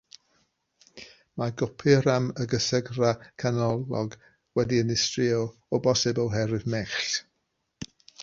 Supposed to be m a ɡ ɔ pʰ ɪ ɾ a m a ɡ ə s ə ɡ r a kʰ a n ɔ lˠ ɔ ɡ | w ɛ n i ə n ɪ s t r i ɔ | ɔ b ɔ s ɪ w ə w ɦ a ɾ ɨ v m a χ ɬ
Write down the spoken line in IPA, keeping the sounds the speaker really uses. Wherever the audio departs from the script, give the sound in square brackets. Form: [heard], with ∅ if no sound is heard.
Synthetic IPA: m a ɡ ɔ pʰ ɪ ɾ a m [ə] ɡ ə s ə ɡ r a kʰ a n ɔ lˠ ɔ ɡ | w ɛ [d] i ə n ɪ s t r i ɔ | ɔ b ɔ s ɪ [b] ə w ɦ [ɛ] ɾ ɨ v m [ɛ] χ ɬ